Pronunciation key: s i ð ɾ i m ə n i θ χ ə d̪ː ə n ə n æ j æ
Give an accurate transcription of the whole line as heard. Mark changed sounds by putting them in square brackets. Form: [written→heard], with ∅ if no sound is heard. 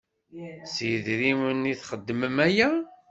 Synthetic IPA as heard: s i ð ɾ i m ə n i θ χ ə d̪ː ə [n→m] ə [n→m] æ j æ